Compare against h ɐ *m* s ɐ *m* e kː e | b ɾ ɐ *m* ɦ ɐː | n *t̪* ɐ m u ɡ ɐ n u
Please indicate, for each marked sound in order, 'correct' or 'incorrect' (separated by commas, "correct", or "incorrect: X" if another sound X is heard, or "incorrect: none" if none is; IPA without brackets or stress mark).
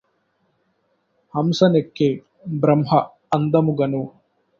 correct, incorrect: n, correct, incorrect: d̪